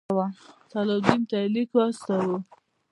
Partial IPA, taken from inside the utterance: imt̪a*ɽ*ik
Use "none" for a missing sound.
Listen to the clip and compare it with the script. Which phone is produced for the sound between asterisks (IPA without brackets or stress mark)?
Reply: l